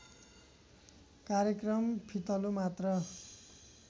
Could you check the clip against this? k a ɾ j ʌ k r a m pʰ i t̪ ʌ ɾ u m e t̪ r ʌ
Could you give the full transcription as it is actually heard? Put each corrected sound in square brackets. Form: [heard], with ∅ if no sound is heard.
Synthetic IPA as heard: k a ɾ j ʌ k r [ʌ] m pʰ i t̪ ʌ [l] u m [a] t̪ r ʌ

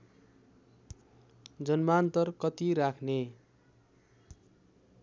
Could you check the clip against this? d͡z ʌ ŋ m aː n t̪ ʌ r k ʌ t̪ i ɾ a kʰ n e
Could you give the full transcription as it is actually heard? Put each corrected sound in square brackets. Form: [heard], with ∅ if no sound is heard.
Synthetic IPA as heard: d͡z ʌ [n] m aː n t̪ ʌ r k ʌ t̪ i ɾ a kʰ n e

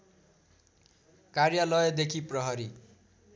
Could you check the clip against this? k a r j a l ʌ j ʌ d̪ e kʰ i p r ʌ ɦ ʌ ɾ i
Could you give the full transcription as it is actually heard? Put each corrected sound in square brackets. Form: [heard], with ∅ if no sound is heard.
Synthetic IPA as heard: k a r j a l ʌ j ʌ d̪ e kʰ i p r ʌ ɦ ʌ ɾ i

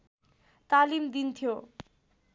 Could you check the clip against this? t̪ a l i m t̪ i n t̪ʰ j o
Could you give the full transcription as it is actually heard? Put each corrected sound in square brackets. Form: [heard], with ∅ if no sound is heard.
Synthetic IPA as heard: t̪ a l i m [d̪] i n t̪ʰ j o

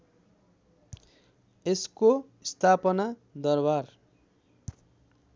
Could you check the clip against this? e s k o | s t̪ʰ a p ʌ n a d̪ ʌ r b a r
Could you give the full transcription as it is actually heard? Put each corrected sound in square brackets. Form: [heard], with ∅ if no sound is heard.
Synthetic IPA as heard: e s k o | s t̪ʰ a p ʌ n a d̪ ʌ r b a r

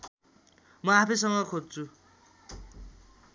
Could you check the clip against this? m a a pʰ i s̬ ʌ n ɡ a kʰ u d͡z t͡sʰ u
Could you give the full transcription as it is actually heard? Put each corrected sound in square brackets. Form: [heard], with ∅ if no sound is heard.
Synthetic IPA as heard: m [ʌ] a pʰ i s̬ ʌ [ŋ] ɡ [ʌ] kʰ [o] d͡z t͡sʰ u

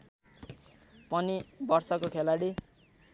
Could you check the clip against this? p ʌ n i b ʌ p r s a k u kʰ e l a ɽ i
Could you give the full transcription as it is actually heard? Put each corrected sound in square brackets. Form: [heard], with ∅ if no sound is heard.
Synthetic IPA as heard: p ʌ n i b ʌ [∅] r s [ʌ] k [o] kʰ e l a ɽ i

